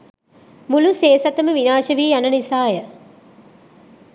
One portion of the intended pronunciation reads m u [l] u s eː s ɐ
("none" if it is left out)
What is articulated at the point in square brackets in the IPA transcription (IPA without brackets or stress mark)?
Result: l